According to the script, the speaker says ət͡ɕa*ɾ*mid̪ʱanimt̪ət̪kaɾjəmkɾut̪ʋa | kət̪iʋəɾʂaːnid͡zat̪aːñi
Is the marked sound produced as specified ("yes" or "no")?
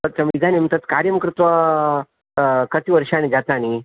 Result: no